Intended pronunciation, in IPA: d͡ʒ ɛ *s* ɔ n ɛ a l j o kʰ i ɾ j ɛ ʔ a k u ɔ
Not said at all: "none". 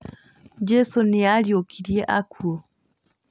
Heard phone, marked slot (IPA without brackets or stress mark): s